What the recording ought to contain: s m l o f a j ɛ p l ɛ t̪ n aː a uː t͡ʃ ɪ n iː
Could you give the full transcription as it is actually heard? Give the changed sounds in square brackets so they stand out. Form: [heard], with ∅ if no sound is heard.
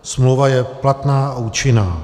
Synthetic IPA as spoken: s m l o [v] a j ɛ p l [a] t̪ n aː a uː t͡ʃ ɪ n [aː]